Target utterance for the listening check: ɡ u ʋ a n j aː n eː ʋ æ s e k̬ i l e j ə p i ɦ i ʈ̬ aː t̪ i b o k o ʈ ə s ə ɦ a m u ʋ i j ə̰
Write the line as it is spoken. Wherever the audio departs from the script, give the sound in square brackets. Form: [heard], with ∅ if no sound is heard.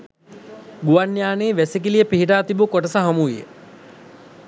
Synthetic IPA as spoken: ɡ u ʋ a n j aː n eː ʋ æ s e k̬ i l [i] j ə p i ɦ i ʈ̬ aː t̪ i b [u] k o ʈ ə s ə ɦ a m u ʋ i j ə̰